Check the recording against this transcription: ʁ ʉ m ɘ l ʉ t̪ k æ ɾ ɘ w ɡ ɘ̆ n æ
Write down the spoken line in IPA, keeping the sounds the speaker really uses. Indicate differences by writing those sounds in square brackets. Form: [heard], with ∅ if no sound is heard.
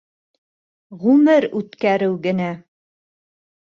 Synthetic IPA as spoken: ʁ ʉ m ɘ [ɾ] ʉ t̪ k æ ɾ ɘ w ɡ ɘ̆ n æ